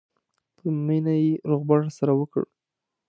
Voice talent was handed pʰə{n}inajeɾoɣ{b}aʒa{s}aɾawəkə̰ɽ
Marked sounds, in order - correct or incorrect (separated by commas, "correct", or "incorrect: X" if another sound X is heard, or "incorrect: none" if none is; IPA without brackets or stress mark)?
incorrect: m, correct, correct